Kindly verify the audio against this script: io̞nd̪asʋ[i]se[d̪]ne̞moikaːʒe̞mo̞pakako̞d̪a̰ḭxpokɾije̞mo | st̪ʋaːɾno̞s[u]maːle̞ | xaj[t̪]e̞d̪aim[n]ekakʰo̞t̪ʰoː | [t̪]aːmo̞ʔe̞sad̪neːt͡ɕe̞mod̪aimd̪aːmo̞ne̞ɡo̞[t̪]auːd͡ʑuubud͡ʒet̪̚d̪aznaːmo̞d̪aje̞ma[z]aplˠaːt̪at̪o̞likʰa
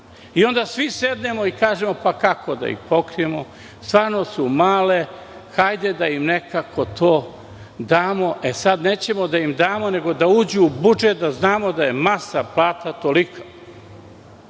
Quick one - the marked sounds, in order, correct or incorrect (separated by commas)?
correct, correct, correct, incorrect, correct, incorrect, incorrect, incorrect